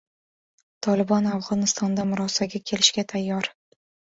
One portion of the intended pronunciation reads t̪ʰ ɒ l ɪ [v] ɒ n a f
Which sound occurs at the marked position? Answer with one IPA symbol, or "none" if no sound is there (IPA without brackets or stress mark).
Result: b